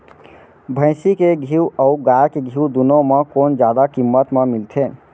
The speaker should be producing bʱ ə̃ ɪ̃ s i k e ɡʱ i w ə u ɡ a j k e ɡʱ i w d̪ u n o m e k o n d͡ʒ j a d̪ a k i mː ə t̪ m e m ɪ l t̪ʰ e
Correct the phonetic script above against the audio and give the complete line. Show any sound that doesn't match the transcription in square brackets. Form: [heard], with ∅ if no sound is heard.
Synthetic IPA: bʱ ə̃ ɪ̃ s i k e ɡʱ i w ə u ɡ a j k e ɡʱ i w d̪ u n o m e k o n d͡ʒ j a d̪ a k i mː ə t̪ m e m [i] l t̪ʰ e

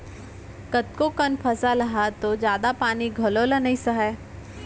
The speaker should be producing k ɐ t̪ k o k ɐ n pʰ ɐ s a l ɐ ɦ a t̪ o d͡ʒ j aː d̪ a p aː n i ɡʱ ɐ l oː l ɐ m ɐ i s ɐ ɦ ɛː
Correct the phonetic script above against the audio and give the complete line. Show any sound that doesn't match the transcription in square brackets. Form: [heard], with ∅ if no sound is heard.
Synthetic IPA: k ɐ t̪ k o k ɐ n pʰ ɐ s a l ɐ ɦ a t̪ o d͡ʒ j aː d̪ a p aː n i ɡʱ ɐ l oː l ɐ [n] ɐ i s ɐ ɦ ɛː

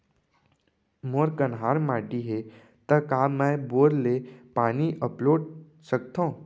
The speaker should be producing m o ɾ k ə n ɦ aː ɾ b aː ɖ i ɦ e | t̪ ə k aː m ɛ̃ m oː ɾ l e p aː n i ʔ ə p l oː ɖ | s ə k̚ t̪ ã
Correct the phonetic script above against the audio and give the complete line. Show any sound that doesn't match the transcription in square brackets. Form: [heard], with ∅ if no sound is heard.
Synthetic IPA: m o ɾ k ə n ɦ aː ɾ [m] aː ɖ i ɦ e | t̪ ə k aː m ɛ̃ [b] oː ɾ l e p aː n i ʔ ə p l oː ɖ | s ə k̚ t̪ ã

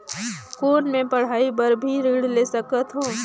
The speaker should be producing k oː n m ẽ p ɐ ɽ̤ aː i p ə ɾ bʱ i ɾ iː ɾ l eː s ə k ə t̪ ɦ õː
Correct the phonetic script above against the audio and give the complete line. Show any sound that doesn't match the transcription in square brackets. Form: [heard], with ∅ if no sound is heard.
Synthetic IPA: k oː n m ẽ p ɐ ɽ̤ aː i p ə ɾ bʱ i ɾ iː [ɽ] l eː s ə k ə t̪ ɦ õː

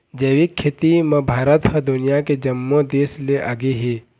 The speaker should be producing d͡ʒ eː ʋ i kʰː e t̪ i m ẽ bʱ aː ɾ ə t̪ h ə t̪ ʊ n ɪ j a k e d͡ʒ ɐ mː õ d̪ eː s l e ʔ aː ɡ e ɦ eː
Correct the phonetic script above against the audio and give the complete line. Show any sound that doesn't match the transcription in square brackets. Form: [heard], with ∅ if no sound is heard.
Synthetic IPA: d͡ʒ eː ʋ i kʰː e t̪ i m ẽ bʱ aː ɾ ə t̪ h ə [d̪] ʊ n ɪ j a k e d͡ʒ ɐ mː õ d̪ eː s l e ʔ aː ɡ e ɦ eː

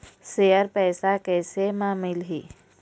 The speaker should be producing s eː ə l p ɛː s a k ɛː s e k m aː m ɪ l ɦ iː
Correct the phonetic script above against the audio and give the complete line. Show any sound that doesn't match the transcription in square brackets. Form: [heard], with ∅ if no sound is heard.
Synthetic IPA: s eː ə [ɾ] p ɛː s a k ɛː s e [∅] m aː m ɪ l ɦ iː

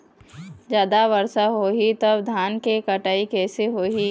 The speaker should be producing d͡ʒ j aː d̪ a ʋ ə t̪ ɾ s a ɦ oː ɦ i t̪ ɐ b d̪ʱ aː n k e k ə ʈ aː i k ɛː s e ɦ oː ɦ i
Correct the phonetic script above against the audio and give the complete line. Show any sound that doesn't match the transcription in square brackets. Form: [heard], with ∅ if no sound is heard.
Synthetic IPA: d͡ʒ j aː d̪ a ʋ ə [∅] ɾ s a ɦ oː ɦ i t̪ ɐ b d̪ʱ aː n k e k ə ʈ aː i k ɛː s e ɦ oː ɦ i

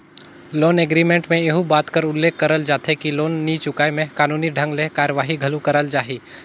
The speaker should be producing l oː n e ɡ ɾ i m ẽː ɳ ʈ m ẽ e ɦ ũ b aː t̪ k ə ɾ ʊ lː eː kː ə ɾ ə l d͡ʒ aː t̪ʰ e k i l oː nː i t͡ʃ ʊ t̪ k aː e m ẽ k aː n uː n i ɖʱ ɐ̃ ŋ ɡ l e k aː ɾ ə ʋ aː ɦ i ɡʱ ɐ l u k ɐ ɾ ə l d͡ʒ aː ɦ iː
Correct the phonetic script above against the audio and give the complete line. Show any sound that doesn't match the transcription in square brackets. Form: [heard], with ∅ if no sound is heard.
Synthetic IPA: l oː n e ɡ ɾ i m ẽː ɳ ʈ m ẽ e ɦ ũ b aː t̪ k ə ɾ ʊ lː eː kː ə ɾ ə l d͡ʒ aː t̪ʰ e k i l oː nː i t͡ʃ ʊ [∅] k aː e m ẽ k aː n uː n i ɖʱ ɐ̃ ŋ ɡ l e k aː ɾ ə ʋ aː ɦ i ɡʱ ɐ l u k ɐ ɾ ə l d͡ʒ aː ɦ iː

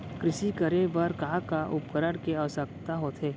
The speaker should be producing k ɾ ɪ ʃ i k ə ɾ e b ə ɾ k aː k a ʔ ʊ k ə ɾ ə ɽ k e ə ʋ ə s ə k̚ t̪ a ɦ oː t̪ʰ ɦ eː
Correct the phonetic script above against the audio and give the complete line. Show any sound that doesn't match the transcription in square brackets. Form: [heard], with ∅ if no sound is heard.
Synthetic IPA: k ɾ ɪ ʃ i k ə ɾ e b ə ɾ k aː k a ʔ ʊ [p] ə ɾ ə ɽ k e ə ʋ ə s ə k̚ t̪ a ɦ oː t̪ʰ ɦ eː

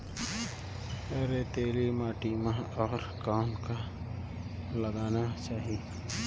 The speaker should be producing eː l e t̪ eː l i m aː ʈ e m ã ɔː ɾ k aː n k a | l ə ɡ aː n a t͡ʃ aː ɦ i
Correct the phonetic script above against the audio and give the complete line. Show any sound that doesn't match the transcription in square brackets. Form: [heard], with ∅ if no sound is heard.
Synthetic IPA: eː [ɾ] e t̪ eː l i m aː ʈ [i] m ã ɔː ɾ k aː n k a | l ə ɡ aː n a t͡ʃ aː ɦ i

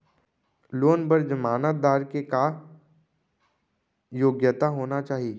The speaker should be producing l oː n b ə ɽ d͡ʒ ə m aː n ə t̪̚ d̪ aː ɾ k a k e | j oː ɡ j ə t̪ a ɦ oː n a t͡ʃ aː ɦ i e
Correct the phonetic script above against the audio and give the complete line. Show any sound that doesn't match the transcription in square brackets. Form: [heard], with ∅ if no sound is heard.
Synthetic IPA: l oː n b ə [ɾ] d͡ʒ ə m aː n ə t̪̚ d̪ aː ɾ k [e] k [a] | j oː ɡ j ə t̪ a ɦ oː n a t͡ʃ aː ɦ i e

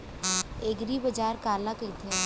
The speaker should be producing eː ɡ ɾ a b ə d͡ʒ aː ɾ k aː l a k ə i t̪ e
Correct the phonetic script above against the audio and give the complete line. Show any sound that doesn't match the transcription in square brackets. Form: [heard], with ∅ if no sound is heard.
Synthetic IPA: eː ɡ ɾ [i] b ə d͡ʒ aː ɾ k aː l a k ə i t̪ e

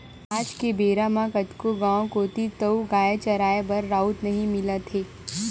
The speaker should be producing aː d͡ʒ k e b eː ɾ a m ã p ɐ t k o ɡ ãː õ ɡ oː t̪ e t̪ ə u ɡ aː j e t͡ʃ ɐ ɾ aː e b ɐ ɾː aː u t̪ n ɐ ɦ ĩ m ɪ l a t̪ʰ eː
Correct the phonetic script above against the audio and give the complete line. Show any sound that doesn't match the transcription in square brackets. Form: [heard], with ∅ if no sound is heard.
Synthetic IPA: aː d͡ʒ k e b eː ɾ a m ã [k] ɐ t k o ɡ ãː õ [k] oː t̪ [i] t̪ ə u ɡ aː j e t͡ʃ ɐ ɾ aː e b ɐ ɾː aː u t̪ n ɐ ɦ ĩ m ɪ l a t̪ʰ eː

